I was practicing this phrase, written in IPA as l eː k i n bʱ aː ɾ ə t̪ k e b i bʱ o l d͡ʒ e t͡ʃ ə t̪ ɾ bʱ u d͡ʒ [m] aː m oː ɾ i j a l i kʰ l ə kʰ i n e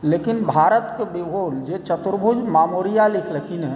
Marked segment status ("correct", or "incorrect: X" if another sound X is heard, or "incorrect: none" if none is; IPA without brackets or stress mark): correct